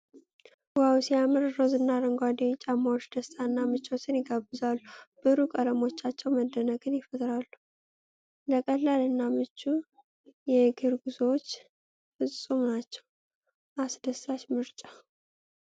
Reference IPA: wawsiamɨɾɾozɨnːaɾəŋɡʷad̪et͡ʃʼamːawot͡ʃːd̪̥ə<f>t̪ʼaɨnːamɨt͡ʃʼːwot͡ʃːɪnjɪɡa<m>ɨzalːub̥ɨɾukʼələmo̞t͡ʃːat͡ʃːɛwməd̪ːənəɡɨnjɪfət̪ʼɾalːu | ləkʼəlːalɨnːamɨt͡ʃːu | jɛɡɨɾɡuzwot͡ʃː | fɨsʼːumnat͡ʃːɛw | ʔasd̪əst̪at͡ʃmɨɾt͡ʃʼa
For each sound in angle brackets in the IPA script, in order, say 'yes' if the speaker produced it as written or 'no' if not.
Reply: no, no

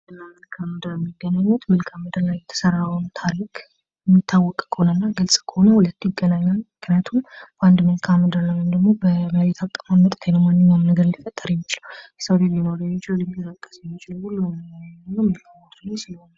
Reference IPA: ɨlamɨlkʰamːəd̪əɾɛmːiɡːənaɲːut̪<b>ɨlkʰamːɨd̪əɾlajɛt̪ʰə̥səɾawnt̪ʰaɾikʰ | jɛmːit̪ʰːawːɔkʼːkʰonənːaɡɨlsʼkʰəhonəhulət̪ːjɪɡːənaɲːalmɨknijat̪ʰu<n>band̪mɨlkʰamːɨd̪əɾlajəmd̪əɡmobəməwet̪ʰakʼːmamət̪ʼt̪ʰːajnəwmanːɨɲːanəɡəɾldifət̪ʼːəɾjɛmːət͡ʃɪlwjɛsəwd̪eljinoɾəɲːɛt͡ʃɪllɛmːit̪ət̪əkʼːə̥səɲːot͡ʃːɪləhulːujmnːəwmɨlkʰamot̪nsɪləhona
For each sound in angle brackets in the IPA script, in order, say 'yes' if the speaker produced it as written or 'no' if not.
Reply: no, no

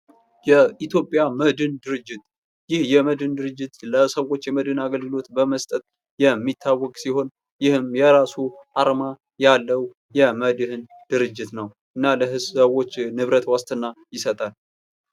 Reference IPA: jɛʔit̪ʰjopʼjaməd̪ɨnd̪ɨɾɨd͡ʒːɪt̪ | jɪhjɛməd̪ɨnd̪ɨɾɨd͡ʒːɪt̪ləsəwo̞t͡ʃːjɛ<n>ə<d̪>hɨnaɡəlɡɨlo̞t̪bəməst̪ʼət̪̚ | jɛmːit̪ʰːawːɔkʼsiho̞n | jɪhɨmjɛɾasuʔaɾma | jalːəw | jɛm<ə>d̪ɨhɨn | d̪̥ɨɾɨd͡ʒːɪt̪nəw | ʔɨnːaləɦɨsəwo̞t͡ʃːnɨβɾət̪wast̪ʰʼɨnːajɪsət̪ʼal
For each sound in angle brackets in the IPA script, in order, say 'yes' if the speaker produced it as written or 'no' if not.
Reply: no, yes, yes

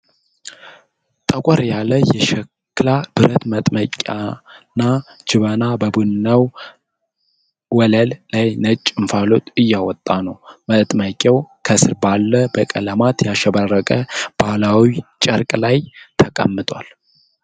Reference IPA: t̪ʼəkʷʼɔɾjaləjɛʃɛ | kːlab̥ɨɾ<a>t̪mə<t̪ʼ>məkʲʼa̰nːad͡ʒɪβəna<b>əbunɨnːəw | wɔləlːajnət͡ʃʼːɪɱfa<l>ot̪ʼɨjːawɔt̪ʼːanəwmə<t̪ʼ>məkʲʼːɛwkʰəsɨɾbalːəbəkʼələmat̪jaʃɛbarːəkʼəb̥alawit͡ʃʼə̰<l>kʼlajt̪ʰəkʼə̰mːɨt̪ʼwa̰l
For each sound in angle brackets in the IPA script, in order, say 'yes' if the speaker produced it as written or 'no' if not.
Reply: no, yes, yes, yes, yes, no

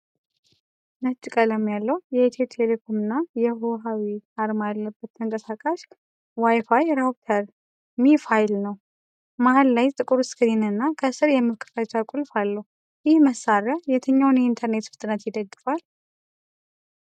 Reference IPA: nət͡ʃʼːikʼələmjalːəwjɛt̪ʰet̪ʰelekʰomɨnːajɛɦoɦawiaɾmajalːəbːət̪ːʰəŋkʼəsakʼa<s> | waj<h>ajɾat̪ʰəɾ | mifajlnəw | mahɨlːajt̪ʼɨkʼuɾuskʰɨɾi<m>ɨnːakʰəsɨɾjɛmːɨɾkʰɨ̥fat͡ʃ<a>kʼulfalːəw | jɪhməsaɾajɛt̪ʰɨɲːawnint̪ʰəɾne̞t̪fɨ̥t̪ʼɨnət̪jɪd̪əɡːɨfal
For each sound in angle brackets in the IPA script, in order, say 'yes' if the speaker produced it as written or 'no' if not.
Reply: no, no, no, yes

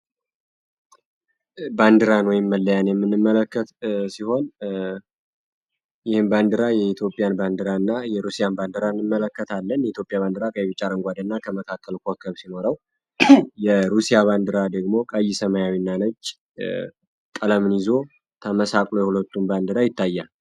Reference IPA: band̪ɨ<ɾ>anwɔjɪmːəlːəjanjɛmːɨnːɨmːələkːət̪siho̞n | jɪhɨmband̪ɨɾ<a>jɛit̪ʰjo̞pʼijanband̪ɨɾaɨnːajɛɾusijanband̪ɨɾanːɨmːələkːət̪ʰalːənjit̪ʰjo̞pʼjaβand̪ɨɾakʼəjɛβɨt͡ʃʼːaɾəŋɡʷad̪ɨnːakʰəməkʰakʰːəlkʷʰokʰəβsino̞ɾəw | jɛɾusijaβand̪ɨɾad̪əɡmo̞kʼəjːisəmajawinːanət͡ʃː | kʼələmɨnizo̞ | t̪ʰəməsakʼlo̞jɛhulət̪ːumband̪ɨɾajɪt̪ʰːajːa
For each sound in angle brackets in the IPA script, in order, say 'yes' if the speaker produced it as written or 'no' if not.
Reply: yes, yes

